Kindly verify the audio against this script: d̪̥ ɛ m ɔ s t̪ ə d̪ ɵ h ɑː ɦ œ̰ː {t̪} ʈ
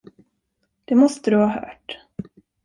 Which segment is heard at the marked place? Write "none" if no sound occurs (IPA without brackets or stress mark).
none